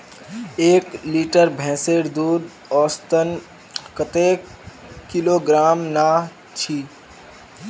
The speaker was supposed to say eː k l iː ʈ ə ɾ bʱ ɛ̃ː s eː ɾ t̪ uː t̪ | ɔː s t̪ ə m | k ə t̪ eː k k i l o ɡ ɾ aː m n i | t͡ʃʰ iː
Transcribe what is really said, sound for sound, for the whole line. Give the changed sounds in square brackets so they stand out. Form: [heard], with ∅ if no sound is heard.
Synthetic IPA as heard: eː k l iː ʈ ə ɾ bʱ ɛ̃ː s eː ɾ [d̪] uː [d̪] | ɔː s t̪ ə [n] | k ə t̪ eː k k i l o ɡ ɾ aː m n [a] | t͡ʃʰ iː